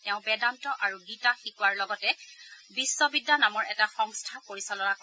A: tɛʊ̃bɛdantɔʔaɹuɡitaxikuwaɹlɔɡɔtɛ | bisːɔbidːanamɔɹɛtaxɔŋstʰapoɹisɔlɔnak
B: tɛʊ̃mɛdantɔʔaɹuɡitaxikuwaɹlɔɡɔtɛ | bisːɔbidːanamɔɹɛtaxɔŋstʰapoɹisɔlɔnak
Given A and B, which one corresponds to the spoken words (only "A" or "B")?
A